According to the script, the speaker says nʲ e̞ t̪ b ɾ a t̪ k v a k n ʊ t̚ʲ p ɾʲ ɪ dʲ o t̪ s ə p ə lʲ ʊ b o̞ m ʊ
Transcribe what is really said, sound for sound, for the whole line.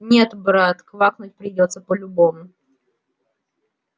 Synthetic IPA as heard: nʲ e̞ t̪ b ɾ a t̪ k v a k n ʊ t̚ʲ p ɾʲ ɪ dʲ o t̪ s ə p ə lʲ ʊ b o̞ m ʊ